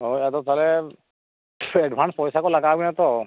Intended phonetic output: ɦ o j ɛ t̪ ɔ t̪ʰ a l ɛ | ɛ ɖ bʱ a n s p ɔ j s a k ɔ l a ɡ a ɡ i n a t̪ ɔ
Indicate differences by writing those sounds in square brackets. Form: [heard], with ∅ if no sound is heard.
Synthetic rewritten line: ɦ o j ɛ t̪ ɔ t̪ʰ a l ɛ | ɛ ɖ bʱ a n s p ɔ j s a k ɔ l a ɡ a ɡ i n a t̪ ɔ